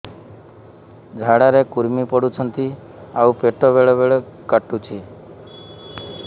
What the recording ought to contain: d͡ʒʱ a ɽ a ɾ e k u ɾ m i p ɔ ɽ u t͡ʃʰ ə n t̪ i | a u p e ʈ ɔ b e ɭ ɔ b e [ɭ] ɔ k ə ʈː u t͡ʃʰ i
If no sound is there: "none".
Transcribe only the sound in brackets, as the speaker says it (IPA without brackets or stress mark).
ɭ